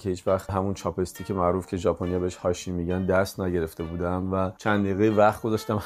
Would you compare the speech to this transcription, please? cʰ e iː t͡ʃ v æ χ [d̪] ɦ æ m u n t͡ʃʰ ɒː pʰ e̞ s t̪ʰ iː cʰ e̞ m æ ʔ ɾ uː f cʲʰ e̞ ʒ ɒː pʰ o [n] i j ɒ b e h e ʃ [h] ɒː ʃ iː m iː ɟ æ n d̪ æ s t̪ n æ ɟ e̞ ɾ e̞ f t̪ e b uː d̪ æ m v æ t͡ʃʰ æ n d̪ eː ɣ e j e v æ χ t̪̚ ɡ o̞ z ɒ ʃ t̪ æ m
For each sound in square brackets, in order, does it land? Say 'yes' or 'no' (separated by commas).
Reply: no, yes, yes